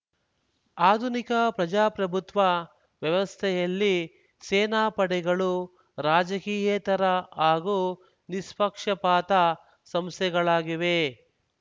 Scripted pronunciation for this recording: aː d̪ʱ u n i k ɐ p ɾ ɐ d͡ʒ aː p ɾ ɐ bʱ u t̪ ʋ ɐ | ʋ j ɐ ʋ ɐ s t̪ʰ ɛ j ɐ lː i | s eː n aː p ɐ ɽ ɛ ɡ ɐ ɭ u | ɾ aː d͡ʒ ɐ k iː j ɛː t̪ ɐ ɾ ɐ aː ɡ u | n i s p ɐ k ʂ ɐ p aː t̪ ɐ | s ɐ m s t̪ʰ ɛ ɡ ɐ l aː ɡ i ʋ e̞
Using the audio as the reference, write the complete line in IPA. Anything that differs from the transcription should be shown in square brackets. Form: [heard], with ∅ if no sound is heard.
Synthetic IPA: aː d̪ʱ u n i k ɐ p ɾ ɐ d͡ʒ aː p ɾ ɐ bʱ u t̪ ʋ ɐ | ʋ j ɐ ʋ ɐ s t̪ʰ ɛ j ɐ lː i | s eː n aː p ɐ ɽ ɛ ɡ ɐ ɭ u | ɾ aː d͡ʒ ɐ k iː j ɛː t̪ ɐ ɾ ɐ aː ɡ u | n i s p ɐ k ʂ ɐ p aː t̪ ɐ | s ɐ m s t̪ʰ ɛ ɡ ɐ [ɭ] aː ɡ i ʋ e̞